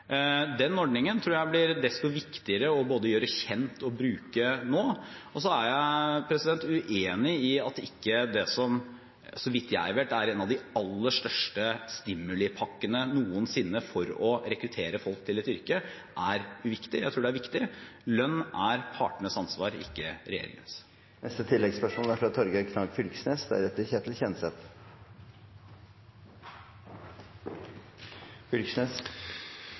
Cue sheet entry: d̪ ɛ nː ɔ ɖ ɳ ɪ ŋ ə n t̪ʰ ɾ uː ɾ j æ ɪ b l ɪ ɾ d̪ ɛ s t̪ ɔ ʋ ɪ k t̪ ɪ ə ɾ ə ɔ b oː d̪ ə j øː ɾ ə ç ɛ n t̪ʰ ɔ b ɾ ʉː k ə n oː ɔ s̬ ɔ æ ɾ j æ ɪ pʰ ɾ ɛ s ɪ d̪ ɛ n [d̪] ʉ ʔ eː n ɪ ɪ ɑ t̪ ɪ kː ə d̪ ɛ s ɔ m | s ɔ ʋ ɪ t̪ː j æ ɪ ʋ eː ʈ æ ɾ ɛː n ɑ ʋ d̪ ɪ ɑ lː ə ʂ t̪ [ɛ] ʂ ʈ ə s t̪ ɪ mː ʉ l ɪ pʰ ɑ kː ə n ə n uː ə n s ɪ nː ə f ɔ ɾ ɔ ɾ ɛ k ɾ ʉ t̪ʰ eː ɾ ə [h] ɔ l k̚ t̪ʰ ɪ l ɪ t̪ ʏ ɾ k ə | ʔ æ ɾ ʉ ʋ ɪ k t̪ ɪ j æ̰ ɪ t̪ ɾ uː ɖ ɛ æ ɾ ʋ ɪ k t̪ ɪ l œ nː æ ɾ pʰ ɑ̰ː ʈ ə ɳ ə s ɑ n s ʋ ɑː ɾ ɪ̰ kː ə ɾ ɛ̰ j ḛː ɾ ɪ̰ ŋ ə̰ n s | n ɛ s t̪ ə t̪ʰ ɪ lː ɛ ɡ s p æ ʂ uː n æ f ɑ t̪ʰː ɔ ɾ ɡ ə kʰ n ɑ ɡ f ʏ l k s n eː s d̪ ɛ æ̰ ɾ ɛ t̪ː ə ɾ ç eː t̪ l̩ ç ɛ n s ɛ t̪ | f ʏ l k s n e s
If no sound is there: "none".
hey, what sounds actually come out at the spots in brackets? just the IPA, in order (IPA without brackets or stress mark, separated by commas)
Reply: t̪, œ, f